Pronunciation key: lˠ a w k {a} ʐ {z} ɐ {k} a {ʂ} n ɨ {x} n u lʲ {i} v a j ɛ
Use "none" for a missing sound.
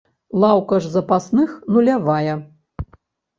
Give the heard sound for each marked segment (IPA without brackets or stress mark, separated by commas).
ɐ, z, p, s, x, a